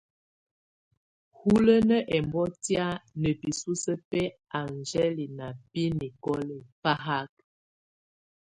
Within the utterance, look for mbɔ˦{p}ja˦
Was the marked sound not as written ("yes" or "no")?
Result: yes